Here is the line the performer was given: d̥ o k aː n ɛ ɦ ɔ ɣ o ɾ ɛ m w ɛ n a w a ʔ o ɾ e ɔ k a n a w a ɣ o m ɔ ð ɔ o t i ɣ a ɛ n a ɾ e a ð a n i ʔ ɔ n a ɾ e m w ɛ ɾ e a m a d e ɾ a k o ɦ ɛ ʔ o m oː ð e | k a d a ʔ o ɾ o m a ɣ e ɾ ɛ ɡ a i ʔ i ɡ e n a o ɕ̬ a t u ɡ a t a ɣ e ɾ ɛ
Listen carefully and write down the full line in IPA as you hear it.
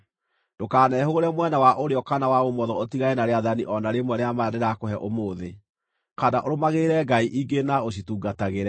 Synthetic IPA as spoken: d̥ o k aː n ɛ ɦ o ɣ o ɾ ɛ m w ɛ n a w a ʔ o ɾ e ɔ k a n a w a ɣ o m ɔ ð ɔ o t i ɣ a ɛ n a ɾ e a ð a n i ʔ ɔ n a ɾ e m w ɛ ɾ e a m a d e ɾ a k o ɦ ɛ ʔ o m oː ð e | k a d a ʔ o ɾ o m a ɣ e ɾ ɛ ɡ a i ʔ i ɡ e n a o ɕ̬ i t u ɡ a t a ɣ e ɾ ɛ